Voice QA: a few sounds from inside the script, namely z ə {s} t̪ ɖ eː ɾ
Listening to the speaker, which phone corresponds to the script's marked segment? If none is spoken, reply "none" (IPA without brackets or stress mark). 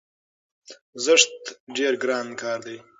ʂ